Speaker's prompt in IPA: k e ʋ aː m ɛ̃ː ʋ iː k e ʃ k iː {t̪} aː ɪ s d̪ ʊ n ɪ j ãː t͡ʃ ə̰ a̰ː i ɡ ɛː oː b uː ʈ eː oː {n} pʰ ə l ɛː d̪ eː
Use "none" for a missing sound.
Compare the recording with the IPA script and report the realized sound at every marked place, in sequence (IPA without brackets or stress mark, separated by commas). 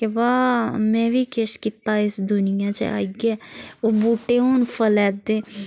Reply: t̪, n